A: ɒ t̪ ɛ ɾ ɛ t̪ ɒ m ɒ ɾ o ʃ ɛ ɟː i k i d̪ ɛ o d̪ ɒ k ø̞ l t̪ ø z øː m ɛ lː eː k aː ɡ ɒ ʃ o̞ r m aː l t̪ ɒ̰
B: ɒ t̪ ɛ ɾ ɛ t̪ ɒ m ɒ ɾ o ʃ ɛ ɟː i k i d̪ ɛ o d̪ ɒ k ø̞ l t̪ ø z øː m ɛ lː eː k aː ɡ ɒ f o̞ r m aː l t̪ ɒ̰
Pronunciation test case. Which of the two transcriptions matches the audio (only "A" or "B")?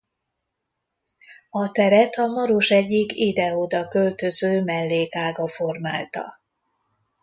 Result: B